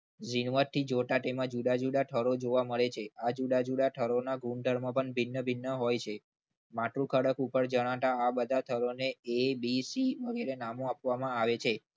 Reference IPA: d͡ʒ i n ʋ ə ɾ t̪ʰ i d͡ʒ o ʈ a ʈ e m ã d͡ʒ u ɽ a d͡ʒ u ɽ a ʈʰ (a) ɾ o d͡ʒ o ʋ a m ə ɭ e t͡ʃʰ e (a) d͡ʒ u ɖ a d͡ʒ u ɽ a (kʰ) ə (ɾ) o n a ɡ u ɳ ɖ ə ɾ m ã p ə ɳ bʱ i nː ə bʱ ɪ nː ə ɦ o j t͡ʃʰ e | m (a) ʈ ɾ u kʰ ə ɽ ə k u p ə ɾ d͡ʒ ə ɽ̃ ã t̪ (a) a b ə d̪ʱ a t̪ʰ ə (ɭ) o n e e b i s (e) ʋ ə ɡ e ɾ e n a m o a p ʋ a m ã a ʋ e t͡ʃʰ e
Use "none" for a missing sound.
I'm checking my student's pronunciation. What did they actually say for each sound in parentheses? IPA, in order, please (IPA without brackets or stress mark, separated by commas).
ə, a, ʈʰ, ɾ, a, a, ɾ, i